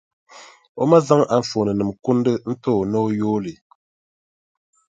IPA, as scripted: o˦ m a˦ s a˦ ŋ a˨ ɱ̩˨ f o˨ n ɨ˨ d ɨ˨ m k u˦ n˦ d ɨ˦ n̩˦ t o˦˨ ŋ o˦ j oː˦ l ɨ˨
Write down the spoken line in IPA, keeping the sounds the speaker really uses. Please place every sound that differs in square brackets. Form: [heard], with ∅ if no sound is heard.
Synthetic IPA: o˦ m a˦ [z] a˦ ŋ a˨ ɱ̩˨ f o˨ n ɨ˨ [n] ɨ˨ m k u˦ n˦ d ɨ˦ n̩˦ t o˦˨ [n] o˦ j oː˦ l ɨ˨